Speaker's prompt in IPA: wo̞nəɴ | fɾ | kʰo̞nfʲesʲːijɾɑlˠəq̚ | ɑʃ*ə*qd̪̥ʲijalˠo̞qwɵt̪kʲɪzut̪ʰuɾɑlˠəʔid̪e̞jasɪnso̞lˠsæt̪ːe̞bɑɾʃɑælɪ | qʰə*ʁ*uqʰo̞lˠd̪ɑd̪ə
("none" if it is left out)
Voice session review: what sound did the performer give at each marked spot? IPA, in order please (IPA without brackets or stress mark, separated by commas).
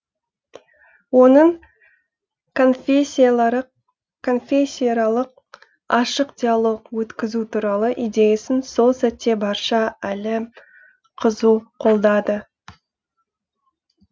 ə, z